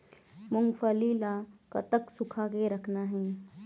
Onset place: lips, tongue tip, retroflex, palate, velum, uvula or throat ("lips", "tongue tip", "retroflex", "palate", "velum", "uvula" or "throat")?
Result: lips